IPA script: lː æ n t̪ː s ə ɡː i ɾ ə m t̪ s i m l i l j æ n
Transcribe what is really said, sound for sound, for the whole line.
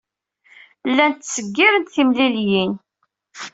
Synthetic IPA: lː æ n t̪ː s ə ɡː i ɾ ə n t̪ θ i m l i l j i n

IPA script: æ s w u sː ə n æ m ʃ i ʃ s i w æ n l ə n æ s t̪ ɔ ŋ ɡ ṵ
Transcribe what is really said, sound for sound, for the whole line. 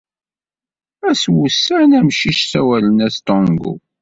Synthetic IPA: æ s w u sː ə n æ m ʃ i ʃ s æ w æ l ə n æ s t̪ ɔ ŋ ɡ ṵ

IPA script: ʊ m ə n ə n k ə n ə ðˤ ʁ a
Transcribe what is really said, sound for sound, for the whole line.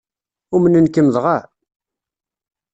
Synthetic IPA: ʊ m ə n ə n k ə m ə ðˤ ʁ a

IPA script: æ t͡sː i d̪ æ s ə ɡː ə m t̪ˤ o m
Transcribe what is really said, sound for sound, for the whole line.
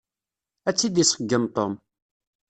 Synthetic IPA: æ t͡sː i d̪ i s ə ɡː ə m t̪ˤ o m

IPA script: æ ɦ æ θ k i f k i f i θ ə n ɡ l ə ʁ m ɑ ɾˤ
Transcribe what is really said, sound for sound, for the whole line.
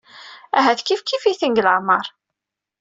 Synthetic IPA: æ ɦ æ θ k i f k i f i θ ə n ɡ l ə ʕ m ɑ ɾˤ

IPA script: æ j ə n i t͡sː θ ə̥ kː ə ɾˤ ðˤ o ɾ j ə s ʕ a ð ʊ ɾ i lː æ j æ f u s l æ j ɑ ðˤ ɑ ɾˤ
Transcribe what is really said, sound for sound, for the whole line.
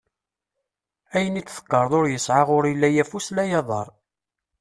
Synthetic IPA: æ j ə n i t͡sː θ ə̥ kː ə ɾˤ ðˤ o ɾ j ə s ʕ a ʁ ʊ ɾ i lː æ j æ f u s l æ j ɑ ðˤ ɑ ɾˤ

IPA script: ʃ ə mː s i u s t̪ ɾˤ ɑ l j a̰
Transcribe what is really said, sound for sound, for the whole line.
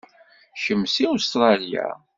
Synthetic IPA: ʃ ə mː s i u s t̪ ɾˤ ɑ l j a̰

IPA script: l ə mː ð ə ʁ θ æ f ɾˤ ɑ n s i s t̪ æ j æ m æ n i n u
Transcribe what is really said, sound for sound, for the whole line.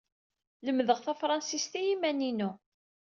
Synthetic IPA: l ə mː ð ə ʁ θ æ f ɾˤ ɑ n s i s t̪ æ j i m æ n i n u

